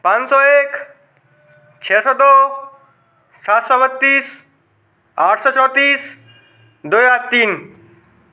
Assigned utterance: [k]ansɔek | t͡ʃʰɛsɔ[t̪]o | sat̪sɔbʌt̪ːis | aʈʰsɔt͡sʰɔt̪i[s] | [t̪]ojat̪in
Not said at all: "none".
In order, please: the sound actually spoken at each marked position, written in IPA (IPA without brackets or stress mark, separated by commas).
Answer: p, d̪, s, d̪